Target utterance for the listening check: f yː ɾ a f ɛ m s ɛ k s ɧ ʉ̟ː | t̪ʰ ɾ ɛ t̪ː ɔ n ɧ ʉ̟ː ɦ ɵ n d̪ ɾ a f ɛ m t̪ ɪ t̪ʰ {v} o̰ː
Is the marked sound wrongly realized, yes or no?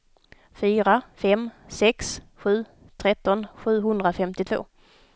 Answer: no